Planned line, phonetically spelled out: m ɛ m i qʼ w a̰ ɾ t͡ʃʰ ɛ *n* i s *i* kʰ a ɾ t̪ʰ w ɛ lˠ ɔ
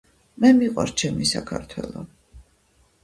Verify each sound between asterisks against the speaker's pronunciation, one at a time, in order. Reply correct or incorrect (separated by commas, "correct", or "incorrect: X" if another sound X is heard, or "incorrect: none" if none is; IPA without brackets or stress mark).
incorrect: m, incorrect: a